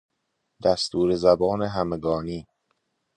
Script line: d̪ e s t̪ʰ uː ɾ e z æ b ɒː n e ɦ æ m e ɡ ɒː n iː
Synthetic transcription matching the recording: d̪ æ s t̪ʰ uː ɾ e z æ b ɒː n e ɦ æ m e ɡ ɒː n iː